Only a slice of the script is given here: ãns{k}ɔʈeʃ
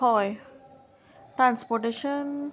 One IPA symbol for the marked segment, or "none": p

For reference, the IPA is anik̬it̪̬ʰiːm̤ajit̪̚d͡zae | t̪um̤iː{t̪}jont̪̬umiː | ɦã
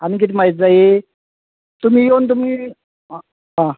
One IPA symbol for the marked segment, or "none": none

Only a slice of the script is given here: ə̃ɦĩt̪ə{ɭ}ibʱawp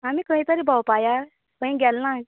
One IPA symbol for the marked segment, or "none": ɾ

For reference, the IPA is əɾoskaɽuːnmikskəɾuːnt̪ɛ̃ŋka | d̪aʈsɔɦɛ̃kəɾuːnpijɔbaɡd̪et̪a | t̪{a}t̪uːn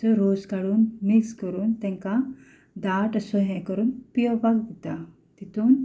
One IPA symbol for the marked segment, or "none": i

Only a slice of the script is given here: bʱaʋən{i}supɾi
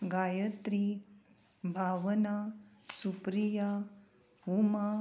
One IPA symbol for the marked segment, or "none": a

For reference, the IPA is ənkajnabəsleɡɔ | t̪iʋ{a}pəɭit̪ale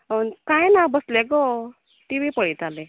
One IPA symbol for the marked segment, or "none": i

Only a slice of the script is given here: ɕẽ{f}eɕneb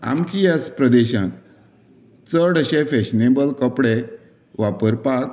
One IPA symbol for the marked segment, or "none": f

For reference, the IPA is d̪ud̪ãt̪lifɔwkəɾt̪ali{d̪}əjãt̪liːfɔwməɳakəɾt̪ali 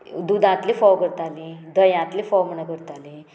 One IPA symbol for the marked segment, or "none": d̪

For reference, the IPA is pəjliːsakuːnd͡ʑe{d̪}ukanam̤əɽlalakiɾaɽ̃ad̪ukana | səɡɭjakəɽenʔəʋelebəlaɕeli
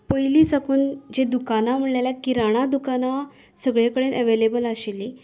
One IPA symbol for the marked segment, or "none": d̪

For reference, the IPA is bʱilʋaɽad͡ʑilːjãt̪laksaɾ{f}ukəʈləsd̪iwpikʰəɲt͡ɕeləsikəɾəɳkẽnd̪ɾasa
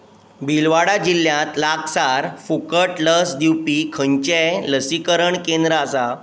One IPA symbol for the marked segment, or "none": f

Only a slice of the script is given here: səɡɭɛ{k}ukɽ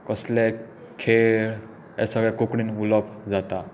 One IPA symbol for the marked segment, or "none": k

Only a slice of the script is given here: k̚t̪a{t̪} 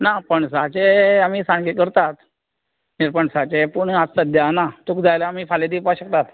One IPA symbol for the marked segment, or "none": t̪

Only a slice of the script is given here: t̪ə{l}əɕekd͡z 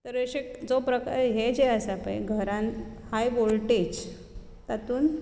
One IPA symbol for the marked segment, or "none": ɾ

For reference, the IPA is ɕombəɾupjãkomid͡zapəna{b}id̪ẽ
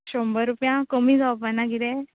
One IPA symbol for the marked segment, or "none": ɡ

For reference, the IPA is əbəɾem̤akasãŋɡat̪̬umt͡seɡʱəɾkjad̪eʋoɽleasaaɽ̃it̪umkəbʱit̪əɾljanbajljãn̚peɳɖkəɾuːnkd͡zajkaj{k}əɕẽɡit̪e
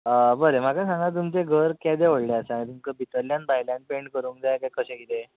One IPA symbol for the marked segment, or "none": k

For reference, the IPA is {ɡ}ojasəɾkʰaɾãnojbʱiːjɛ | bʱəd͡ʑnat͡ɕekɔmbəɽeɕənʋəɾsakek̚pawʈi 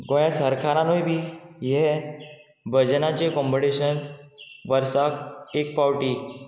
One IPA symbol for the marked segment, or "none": ɡ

